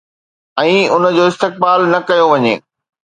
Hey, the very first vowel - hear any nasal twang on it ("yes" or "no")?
yes